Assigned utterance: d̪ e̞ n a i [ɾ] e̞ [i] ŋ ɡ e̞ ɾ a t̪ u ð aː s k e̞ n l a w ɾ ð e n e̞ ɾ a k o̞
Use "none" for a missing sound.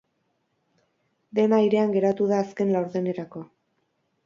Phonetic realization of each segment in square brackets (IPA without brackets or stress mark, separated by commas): ɾ, a